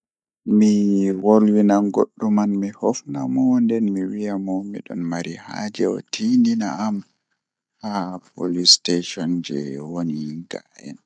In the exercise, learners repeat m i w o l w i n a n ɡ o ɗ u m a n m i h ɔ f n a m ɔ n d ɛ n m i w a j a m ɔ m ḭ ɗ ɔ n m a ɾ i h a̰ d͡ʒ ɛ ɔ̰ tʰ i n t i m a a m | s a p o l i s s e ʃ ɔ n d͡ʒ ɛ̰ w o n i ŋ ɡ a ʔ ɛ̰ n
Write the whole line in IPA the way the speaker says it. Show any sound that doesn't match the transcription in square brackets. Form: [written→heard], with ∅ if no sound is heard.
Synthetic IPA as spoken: m i w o l w i n a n ɡ o [ɗ→ɗː] u m a n m i h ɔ f n a m ɔ n d ɛ n m i w [a→i] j a m ɔ m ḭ ɗ ɔ n m a ɾ i h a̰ d͡ʒ ɛ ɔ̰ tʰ i n [t→d] i [m→n] a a m | [s→h] a p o l i s [s→t] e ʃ ɔ n d͡ʒ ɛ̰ w o n i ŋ ɡ a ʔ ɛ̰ n